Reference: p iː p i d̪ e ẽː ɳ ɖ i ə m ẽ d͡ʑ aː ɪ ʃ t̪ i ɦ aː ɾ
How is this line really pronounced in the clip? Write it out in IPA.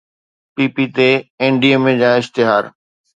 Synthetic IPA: p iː p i t̪ e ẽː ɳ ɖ i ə m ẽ d͡ʑ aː ɪ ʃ t̪ ɪ ɦ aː ɾ